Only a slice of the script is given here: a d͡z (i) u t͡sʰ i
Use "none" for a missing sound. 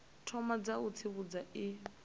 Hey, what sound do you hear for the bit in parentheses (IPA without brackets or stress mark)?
a